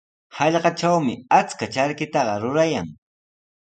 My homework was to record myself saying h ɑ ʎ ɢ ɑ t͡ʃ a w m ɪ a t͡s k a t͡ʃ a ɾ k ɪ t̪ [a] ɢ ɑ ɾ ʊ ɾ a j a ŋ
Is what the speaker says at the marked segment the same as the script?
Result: no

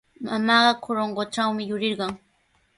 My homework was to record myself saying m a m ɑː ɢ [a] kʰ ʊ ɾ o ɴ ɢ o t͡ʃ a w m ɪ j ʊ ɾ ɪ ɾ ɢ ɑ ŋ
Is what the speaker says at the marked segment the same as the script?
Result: no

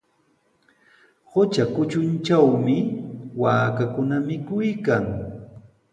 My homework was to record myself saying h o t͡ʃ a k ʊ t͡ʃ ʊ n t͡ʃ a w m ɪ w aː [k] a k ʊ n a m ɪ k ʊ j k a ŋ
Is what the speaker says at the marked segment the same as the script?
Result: yes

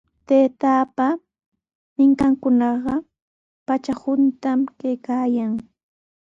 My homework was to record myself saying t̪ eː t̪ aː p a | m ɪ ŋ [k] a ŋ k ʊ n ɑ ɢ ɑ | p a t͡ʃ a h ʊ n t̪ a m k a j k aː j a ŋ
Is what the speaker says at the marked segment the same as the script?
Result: yes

